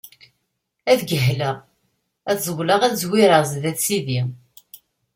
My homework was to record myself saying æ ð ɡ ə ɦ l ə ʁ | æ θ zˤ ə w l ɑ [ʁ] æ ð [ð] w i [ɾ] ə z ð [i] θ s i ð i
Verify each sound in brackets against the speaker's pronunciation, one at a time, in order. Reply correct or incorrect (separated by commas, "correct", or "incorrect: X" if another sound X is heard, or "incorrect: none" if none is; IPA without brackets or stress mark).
correct, incorrect: z, correct, incorrect: æ